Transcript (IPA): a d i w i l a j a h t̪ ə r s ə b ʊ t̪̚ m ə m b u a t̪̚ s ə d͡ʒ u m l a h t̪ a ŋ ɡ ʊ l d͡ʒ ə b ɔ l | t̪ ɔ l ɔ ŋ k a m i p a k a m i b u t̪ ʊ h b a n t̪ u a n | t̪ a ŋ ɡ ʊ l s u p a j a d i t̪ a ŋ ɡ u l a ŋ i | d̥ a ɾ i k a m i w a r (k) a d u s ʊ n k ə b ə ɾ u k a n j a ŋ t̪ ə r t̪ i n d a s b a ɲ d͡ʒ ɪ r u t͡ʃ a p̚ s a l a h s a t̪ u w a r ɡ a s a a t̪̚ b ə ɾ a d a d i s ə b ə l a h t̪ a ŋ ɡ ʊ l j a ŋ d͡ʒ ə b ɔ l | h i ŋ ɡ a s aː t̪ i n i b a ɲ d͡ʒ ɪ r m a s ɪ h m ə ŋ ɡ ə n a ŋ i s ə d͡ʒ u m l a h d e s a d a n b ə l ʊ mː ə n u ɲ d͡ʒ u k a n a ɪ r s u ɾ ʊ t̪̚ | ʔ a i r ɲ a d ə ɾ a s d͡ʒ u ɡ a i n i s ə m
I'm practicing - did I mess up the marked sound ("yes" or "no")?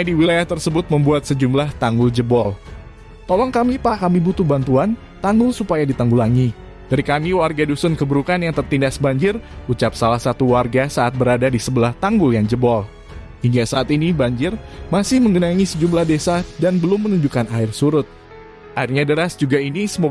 yes